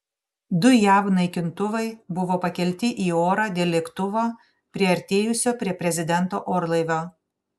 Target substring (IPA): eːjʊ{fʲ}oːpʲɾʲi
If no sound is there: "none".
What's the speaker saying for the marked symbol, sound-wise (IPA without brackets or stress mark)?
sʲ